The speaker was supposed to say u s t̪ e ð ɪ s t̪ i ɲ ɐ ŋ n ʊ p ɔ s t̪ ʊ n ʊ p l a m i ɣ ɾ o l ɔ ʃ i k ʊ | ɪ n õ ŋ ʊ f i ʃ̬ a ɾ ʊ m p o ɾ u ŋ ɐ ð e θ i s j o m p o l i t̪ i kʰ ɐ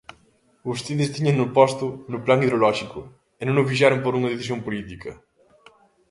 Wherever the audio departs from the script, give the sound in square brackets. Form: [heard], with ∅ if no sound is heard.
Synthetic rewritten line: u s t̪ e ð ɪ s t̪ i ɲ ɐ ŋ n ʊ p ɔ s t̪ ʊ n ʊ p l a [ŋ] i [ð] ɾ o l ɔ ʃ i k ʊ | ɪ n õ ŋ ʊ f i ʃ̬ a ɾ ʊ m p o ɾ u ŋ ɐ ð e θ i s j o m p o l i t̪ i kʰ ɐ